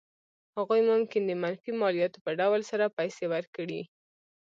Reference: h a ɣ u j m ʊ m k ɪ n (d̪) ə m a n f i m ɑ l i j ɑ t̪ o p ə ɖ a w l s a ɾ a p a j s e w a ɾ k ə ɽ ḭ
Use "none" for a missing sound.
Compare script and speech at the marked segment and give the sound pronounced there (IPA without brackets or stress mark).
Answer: d̪